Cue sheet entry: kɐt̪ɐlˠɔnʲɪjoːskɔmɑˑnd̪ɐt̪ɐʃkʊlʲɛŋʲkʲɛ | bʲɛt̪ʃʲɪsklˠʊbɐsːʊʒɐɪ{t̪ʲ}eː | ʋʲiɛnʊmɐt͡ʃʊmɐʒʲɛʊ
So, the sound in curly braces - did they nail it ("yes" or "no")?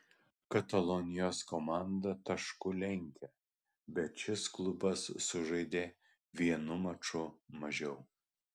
no